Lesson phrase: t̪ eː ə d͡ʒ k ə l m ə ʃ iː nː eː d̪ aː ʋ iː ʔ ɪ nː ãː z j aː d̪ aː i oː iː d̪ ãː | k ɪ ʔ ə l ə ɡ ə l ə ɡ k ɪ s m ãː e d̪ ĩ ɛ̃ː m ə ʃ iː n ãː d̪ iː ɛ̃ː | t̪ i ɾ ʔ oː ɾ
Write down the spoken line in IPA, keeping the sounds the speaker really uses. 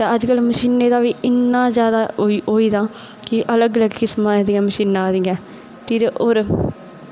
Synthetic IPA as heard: t̪ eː ə d͡ʒ k ə l m ə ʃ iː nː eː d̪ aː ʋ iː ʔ ɪ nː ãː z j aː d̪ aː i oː iː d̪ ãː | k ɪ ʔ ə l ə ɡ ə l ə ɡ k ɪ s m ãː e d̪ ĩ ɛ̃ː m ə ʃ iː n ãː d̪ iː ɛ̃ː | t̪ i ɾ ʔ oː ɾ